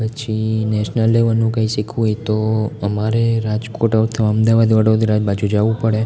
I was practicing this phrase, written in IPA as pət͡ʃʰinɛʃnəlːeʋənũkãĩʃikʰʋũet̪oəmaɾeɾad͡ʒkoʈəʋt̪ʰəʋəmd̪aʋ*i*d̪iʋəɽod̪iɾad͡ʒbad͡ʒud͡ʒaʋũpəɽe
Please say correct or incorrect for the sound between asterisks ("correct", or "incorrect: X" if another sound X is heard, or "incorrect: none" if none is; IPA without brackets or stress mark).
incorrect: a